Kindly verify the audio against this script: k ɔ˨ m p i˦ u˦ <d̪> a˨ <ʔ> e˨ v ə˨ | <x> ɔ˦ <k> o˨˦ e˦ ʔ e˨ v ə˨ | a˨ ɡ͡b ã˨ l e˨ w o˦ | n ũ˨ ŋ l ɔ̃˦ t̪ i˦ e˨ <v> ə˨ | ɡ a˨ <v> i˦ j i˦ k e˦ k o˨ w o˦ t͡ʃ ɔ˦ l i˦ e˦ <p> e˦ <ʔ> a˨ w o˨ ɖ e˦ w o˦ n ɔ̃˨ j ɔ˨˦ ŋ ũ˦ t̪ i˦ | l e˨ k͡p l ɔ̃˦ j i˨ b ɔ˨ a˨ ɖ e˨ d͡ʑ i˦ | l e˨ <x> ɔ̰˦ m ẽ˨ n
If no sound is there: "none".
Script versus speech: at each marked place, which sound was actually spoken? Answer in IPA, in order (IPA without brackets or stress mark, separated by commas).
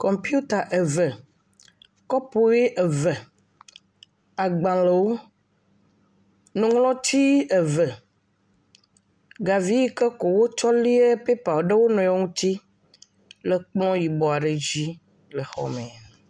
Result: t̪, ʔ, k, p, v, v, p, p, x